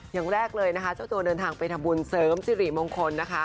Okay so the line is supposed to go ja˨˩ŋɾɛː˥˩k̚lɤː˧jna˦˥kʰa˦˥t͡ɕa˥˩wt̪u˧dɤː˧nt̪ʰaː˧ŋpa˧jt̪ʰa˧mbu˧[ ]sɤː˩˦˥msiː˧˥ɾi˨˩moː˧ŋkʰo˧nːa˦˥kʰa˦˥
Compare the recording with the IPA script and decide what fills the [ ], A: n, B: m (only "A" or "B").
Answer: A